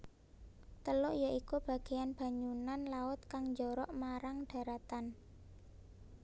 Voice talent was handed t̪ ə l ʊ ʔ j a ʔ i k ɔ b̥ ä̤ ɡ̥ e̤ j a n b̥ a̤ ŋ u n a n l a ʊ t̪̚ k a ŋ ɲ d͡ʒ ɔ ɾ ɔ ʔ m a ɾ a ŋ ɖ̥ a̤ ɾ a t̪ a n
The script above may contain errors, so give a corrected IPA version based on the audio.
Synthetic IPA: t̪ ə l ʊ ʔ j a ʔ i k u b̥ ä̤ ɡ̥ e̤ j a n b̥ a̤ ɲ u n a n l a ʊ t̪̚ k a ŋ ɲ d͡ʒ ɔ ɾ ɔ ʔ m a ɾ a ŋ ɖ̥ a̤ ɾ a t̪ a n